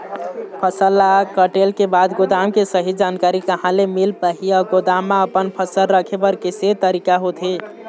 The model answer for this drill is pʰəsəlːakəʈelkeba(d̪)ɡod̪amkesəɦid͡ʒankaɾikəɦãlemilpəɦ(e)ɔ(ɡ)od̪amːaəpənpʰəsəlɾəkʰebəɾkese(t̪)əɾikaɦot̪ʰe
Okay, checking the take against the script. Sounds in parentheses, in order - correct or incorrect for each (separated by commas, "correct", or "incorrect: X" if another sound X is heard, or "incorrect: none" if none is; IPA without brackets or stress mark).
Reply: correct, incorrect: i, correct, correct